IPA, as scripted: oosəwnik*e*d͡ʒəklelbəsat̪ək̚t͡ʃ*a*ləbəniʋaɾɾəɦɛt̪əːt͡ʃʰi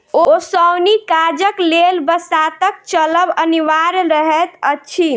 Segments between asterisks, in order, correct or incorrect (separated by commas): incorrect, incorrect